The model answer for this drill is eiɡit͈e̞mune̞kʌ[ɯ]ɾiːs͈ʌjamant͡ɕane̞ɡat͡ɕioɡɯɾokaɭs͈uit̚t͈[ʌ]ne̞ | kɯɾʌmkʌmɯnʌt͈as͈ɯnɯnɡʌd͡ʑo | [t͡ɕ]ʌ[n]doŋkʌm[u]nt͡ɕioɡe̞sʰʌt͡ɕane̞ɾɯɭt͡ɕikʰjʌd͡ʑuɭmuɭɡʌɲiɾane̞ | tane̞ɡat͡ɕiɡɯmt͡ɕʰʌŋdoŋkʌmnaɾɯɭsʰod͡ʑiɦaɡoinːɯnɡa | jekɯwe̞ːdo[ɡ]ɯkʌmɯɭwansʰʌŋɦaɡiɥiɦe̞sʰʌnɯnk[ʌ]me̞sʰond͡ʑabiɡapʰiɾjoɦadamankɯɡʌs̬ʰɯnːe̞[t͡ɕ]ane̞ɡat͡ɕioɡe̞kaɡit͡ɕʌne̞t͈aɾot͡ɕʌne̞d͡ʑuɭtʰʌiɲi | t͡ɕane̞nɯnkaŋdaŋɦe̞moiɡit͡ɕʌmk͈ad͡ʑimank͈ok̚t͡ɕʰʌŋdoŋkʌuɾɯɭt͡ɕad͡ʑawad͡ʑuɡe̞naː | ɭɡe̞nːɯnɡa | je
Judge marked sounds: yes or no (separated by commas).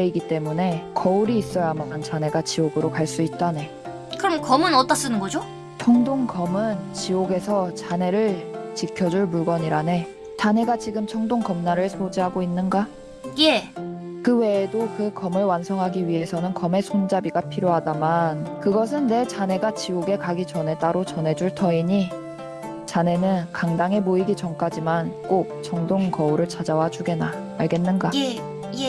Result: no, no, no, no, no, no, yes, yes